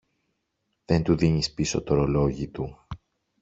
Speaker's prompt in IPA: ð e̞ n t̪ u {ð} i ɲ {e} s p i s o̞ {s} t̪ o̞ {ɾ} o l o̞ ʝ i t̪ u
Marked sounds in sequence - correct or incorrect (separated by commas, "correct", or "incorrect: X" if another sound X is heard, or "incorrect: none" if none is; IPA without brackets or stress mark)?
correct, incorrect: i, incorrect: none, correct